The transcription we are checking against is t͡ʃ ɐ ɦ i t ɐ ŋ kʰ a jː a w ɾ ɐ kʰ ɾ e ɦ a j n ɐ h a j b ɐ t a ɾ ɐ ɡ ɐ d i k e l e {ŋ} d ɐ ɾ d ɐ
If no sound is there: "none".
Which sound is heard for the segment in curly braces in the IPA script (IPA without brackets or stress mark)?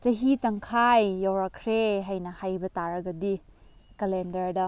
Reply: n